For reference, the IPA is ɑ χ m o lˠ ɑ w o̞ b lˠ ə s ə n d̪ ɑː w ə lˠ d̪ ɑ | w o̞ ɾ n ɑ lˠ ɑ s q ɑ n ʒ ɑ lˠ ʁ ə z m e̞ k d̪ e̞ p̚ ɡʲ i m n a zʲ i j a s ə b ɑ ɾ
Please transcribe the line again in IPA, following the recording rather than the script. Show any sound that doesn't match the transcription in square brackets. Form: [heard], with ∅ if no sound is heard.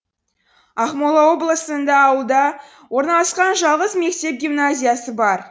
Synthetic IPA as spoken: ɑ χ m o lˠ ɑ w o̞ b lˠ ə s ə n d̪ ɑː w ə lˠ d̪ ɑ | w o̞ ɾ n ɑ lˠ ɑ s q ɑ n ʒ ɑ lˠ ʁ ə z m e̞ k [t̪] e̞ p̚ ɡʲ i m n a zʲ i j a s ə b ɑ ɾ

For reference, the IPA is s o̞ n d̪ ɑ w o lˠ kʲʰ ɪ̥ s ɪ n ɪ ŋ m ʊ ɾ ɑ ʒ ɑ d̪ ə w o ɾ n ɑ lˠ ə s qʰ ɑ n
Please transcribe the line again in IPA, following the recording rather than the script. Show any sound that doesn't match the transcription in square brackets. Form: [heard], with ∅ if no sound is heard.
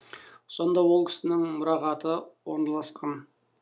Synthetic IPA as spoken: s o̞ n d̪ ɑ w o lˠ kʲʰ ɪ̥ s ɪ n ɪ ŋ m ʊ ɾ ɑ [ʁ] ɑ [t̪] ə w o ɾ n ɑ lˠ [ɑ] s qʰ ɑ n

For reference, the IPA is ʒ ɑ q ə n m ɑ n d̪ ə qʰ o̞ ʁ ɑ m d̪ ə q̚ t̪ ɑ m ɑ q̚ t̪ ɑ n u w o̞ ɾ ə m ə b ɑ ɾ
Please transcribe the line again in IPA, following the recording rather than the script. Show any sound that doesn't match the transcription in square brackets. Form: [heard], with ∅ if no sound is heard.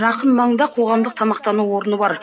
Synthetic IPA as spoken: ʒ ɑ q ə n m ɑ [ɴ] d̪ [ɑ] qʰ o̞ ʁ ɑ m d̪ ə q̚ [t̪ʰ] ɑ m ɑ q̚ t̪ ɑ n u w o̞ ɾ ə [n] ə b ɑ ɾ

